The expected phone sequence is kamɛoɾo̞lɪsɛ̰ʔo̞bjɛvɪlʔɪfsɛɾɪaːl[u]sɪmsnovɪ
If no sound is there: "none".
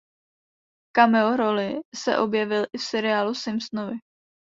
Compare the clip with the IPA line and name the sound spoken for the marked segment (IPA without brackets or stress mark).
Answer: u